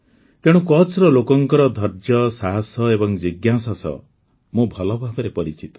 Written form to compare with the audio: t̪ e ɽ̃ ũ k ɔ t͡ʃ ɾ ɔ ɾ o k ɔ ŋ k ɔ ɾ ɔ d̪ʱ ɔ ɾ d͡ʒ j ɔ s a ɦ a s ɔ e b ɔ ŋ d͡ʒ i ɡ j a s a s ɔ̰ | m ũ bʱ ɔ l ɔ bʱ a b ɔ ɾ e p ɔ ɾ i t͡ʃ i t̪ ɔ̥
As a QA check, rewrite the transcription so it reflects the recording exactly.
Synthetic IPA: t̪ e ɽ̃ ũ k ɔ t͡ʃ ɾ ɔ l o k ɔ ŋ k ɔ ɾ ɔ d̪ʱ ɔ ɾ d͡ʒ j ɔ s a ɦ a s ɔ e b ɔ ŋ d͡ʒ i ɡ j a s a s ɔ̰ | m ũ bʱ ɔ l ɔ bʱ a b ɔ ɾ e p ɔ ɾ i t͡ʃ i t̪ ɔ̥